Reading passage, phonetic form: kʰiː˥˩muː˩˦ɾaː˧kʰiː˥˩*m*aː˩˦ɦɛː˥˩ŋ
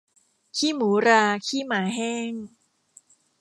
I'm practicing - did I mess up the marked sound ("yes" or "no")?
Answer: no